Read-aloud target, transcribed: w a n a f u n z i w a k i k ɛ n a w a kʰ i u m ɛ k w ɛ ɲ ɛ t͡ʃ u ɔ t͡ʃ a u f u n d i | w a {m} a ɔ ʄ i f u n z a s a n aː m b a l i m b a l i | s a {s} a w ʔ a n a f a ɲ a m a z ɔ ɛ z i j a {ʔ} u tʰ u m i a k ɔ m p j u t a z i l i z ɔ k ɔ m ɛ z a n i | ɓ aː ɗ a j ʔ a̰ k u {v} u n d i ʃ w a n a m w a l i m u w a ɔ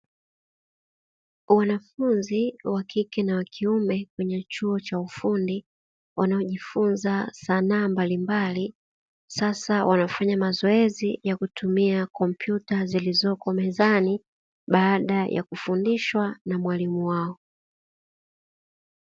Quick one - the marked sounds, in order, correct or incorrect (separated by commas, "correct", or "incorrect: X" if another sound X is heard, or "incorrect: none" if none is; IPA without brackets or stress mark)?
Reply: incorrect: n, correct, incorrect: k, incorrect: f